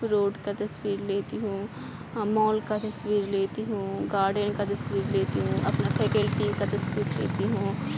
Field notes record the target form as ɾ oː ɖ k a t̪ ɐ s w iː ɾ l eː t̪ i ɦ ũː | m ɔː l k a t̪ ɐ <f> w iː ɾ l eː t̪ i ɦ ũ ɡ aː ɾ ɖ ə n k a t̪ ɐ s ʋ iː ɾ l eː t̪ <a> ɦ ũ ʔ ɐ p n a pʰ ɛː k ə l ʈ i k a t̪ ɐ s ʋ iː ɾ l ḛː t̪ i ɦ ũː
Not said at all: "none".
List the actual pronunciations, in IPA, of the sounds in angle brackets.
s, i

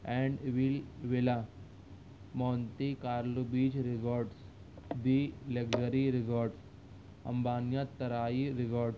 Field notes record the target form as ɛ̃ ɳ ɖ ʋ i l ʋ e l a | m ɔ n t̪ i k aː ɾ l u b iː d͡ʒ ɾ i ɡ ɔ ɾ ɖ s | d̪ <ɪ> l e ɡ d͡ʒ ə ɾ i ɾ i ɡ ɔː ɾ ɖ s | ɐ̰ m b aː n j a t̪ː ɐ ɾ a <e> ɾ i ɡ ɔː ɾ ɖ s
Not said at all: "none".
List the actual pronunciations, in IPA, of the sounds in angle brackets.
i, i

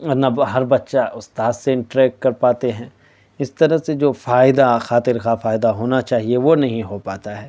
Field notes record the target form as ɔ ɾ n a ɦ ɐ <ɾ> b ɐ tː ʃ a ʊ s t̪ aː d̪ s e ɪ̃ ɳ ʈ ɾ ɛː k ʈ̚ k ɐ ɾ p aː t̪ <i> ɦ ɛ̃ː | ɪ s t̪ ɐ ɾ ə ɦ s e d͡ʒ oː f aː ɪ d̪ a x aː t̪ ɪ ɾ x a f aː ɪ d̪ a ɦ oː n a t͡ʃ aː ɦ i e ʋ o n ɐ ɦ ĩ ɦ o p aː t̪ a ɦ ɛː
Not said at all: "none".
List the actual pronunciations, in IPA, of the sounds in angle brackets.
ɾ, e

